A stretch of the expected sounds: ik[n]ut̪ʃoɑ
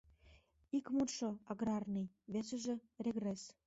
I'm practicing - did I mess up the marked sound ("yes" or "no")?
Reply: yes